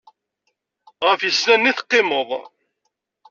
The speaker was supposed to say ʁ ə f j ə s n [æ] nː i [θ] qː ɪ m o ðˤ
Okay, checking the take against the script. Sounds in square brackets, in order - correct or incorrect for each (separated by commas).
correct, correct